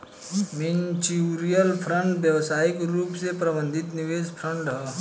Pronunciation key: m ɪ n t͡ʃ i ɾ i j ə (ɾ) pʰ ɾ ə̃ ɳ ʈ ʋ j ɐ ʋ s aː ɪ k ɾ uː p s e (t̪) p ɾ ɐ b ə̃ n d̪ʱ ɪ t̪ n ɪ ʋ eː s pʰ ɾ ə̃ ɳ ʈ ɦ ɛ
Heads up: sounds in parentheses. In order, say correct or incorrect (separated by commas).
incorrect, incorrect